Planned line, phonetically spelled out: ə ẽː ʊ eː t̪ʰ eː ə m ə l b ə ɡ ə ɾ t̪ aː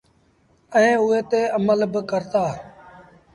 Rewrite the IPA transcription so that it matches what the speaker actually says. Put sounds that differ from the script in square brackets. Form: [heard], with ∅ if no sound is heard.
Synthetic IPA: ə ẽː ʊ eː [t̪] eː ə m ə l b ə [k] ə ɾ t̪ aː